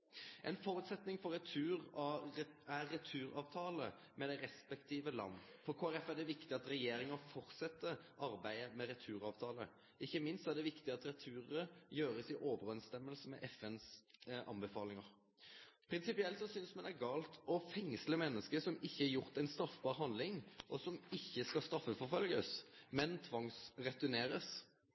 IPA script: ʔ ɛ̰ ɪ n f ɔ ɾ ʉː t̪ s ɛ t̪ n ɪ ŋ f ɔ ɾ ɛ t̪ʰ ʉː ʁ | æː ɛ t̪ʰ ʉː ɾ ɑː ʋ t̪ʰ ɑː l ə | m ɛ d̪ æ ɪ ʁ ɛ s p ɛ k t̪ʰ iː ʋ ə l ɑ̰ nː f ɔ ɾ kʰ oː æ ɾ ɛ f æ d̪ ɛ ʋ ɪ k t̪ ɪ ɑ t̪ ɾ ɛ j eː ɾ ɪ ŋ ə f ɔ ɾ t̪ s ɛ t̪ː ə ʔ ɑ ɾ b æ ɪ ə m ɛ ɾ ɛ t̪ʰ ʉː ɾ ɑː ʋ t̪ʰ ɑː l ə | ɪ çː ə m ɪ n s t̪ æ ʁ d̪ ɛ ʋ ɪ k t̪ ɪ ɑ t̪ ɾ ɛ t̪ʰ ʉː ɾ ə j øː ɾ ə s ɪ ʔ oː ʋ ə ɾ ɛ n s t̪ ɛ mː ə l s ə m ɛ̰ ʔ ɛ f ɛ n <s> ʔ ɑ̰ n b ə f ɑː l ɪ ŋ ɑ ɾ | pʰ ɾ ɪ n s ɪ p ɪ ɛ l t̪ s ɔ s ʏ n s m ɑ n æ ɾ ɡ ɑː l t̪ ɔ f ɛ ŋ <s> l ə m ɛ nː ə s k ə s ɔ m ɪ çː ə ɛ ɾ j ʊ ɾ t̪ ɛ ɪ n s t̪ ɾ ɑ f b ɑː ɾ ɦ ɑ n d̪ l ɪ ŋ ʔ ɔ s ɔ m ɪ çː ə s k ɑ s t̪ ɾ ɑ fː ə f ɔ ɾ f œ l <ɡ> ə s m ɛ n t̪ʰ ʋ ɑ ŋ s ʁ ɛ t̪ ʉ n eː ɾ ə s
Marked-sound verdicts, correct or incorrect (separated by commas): correct, correct, correct